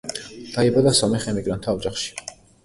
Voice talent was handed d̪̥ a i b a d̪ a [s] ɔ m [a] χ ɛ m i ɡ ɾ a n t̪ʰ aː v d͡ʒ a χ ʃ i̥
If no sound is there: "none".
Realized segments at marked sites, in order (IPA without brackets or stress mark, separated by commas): s, ɛ